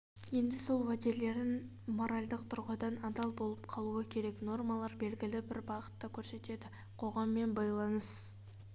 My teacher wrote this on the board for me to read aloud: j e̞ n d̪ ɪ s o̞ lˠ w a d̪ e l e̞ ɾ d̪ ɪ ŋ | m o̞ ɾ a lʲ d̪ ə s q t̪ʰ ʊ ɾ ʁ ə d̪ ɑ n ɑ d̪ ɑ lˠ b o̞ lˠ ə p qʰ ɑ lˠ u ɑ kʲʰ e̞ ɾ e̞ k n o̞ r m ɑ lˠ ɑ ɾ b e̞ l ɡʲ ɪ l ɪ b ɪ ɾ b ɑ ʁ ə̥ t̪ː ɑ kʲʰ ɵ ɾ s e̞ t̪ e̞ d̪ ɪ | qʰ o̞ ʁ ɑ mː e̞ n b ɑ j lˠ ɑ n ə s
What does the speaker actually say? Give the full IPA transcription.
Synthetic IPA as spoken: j e̞ n d̪ ɪ s o̞ lˠ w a d̪ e l e̞ ɾ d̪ ɪ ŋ | m o̞ ɾ a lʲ d̪ ə q t̪ʰ ʊ ɾ ʁ ə d̪ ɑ n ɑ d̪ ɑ lˠ b o̞ lˠ ə p qʰ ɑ lˠ u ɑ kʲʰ e̞ ɾ e̞ k n o̞ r m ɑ lˠ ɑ ɾ b e̞ l ɡʲ ɪ l ɪ b ɪ ɾ b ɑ ʁ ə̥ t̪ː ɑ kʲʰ ɵ ɾ s e̞ t̪ e̞ d̪ ɪ | qʰ o̞ ʁ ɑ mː e̞ n b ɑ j lˠ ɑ n ə s